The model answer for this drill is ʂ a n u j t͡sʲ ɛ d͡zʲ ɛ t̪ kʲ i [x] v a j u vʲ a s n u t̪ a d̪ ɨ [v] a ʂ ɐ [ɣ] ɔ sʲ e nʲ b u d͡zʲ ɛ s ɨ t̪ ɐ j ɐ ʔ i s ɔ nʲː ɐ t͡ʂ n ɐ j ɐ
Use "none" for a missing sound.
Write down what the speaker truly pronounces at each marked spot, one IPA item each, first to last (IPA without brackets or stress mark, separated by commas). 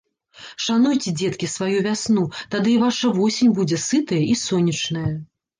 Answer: s, v, v